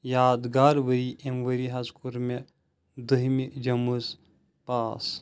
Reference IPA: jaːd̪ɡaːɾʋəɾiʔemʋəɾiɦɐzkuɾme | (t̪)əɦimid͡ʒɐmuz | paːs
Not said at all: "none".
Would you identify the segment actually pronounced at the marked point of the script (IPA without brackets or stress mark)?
d̪